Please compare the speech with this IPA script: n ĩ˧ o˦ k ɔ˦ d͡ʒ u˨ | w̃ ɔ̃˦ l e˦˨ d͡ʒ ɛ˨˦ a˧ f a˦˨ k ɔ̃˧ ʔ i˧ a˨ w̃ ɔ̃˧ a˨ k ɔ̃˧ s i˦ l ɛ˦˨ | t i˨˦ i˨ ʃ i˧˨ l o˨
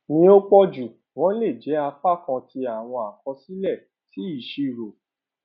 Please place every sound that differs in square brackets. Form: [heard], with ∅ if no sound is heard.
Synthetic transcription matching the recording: n ĩ˧ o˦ [k͡p] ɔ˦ d͡ʒ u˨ | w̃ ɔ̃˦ l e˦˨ d͡ʒ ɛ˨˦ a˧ f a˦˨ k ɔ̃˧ [t] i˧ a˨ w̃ ɔ̃˧ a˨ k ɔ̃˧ s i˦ l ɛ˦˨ | t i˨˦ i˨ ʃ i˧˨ [ɾ] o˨